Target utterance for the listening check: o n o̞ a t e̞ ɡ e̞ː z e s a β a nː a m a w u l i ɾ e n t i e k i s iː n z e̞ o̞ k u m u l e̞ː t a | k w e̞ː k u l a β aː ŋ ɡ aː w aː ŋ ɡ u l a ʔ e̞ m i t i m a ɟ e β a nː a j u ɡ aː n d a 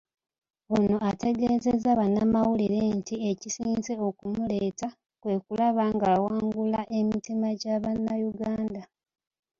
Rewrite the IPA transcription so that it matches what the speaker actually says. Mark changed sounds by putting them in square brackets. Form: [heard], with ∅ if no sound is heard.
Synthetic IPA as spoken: o n o̞ a t e̞ ɡ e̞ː z e [z] a β a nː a m a w u l i ɾ e n t i e [c] i s iː n z e̞ o̞ k u m u l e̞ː t a | k w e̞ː k u l a β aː ŋ ɡ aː w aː ŋ ɡ u l a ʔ e̞ m i t i m a ɟ [a] β a nː a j u ɡ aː n d a

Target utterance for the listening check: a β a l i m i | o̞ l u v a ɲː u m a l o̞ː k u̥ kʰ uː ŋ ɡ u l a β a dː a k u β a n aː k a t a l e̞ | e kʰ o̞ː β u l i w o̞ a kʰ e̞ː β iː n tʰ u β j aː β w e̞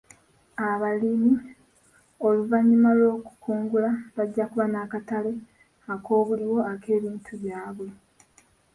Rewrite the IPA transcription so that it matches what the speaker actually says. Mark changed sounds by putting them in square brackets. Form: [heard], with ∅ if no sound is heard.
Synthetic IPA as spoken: a β a l i m i | o̞ l u v a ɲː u m a l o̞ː k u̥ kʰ uː ŋ ɡ u l a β a [ɟː] a k u β a n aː k a t a l e̞ | [a] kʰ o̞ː β u l i w o̞ a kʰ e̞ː β iː n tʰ u β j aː β w e̞

